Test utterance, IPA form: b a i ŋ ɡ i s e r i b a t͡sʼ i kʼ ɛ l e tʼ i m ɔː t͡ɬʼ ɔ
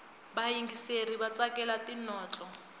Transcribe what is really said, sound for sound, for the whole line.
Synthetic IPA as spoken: b a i ŋ ɡ i s e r i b a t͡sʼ a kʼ ɛ l a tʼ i n ɔː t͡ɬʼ ɔ